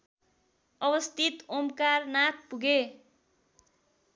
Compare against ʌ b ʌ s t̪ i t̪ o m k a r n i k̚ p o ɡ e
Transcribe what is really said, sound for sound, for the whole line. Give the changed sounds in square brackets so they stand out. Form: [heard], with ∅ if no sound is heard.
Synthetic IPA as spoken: ʌ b ʌ s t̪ i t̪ o m k a r n [a] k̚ p [u] ɡ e